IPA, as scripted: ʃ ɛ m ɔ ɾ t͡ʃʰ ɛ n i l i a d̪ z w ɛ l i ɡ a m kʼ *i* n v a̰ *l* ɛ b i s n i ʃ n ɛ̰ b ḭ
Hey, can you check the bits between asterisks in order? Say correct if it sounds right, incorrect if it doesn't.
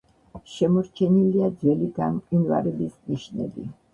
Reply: correct, incorrect

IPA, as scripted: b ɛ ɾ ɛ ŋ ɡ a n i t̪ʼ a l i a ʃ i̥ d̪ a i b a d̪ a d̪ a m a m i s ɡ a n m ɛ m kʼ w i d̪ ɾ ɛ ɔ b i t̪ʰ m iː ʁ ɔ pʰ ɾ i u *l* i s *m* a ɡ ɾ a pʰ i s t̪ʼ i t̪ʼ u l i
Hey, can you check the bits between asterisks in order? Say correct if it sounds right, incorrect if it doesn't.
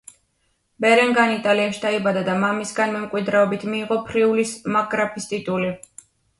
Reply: correct, correct

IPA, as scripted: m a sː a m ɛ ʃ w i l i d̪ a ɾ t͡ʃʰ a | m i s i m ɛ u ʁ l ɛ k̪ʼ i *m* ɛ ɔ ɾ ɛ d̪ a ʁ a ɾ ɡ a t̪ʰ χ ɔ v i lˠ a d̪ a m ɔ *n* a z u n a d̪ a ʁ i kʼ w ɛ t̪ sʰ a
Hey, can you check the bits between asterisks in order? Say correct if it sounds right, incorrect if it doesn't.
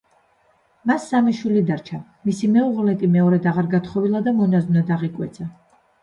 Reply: correct, correct

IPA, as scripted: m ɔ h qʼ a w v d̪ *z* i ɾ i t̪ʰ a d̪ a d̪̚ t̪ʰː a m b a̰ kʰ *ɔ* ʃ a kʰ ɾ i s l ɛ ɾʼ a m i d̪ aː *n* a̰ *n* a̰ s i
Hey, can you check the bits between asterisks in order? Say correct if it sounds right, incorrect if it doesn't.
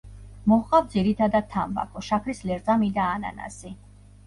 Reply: correct, correct, correct, correct

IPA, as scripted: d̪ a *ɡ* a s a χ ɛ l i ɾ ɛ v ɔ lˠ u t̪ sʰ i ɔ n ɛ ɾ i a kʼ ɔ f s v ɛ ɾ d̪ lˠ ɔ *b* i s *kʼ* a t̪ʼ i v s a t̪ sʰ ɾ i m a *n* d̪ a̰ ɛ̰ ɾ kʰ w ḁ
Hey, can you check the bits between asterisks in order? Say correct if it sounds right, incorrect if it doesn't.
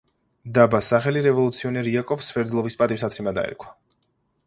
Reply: incorrect, incorrect, incorrect, incorrect

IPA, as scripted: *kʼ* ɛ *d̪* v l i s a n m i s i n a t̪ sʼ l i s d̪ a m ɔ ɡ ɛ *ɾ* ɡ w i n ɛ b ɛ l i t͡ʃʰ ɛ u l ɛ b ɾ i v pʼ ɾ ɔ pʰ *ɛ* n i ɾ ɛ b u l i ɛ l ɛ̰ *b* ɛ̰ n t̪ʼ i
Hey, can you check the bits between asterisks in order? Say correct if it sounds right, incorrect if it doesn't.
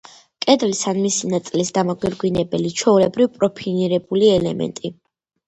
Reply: correct, correct, correct, incorrect, incorrect

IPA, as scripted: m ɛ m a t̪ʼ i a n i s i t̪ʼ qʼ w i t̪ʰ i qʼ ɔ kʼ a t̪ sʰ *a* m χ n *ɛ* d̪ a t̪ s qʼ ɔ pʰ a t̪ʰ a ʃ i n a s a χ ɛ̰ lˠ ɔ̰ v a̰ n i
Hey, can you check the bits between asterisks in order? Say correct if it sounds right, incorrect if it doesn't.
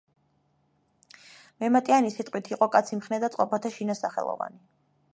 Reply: incorrect, correct

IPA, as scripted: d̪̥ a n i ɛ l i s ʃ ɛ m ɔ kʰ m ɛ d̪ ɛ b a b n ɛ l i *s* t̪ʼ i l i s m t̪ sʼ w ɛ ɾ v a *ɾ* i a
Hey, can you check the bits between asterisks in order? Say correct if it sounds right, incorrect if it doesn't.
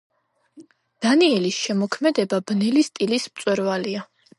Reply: correct, incorrect

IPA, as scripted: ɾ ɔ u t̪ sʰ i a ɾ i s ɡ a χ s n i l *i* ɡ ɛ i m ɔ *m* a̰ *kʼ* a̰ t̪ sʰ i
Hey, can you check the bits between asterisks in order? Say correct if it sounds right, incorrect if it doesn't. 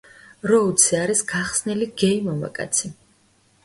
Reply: correct, correct, correct

